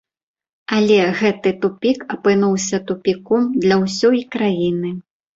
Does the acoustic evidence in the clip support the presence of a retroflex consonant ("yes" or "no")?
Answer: no